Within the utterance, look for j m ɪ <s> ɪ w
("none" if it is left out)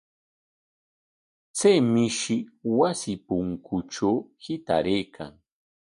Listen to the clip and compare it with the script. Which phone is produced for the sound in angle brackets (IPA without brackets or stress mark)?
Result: ʃ